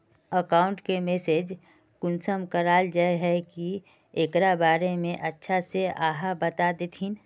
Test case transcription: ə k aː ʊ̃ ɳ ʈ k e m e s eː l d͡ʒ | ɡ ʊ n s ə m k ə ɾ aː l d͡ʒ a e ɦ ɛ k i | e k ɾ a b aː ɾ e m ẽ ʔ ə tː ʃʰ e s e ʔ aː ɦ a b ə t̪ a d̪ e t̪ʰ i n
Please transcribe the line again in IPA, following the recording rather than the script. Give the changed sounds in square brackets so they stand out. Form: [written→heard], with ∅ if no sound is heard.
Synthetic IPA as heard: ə k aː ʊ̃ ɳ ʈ k e m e s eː [l→∅] d͡ʒ | [ɡ→k] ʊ n s ə m k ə ɾ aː l d͡ʒ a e ɦ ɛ k i | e k ɾ a b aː ɾ e m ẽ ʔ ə tː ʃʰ [e→a] s e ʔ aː ɦ a b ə t̪ a d̪ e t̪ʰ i n